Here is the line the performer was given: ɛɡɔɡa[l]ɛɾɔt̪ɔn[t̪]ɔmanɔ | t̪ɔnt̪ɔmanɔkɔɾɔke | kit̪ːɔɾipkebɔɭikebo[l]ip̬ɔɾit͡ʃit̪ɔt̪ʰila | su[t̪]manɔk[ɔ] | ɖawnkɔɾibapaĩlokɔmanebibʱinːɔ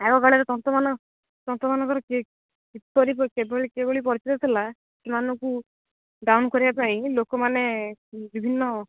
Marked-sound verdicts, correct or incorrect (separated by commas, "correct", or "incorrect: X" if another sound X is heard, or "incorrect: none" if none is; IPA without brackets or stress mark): incorrect: ɭ, correct, incorrect: ɭ, incorrect: none, incorrect: u